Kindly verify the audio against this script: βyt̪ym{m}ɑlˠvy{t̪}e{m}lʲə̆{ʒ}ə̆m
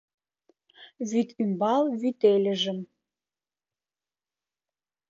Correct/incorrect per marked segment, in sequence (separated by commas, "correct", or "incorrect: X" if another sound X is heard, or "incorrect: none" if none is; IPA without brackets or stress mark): incorrect: b, correct, incorrect: none, correct